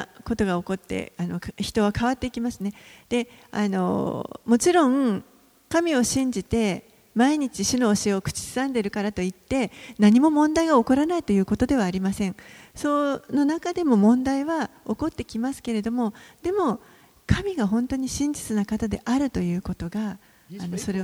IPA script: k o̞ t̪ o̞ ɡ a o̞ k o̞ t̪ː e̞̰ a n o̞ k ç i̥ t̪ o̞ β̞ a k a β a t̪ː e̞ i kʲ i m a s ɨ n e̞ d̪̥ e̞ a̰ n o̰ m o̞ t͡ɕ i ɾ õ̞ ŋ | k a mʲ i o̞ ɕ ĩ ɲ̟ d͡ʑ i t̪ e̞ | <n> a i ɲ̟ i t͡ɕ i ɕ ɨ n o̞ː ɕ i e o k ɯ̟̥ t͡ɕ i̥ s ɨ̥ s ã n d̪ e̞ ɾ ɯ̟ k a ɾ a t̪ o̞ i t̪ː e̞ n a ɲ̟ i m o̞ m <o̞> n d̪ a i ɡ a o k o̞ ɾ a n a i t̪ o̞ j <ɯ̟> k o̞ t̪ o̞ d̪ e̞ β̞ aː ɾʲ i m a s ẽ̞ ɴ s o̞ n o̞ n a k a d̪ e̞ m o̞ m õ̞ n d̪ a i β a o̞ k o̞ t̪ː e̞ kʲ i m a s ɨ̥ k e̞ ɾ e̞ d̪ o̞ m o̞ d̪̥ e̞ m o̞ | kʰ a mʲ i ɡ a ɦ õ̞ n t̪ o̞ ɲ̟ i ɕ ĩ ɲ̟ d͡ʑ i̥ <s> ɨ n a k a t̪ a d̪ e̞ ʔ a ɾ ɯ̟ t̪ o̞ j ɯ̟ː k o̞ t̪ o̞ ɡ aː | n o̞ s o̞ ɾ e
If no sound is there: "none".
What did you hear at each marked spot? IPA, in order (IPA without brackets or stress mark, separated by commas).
m, õ̞, ɯ̟ː, t͡s